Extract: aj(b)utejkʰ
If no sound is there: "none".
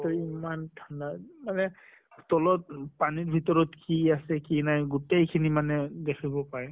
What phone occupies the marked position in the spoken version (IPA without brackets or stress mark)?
ɡ